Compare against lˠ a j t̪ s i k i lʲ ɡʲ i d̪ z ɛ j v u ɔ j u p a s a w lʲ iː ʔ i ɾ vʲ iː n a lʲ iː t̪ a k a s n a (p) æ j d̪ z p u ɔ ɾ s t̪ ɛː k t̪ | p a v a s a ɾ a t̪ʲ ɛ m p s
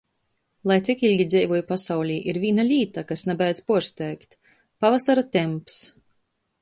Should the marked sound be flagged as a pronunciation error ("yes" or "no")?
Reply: yes